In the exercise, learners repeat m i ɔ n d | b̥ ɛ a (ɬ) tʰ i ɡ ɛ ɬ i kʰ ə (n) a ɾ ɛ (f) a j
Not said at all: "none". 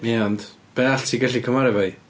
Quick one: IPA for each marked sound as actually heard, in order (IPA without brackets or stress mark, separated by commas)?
ɬ, m, v